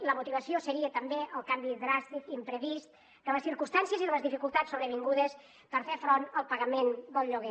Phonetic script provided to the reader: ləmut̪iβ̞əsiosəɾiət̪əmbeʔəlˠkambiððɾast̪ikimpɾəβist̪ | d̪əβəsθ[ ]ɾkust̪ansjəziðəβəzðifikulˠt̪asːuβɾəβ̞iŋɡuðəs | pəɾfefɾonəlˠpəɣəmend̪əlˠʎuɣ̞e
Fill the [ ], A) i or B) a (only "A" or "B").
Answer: A